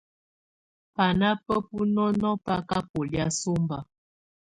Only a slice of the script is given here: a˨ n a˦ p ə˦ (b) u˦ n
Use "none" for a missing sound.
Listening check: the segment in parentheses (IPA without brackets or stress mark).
p